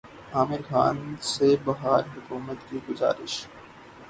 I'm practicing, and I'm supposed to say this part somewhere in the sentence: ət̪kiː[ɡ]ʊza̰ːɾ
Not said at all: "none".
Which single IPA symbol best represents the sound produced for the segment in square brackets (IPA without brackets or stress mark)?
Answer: ɡ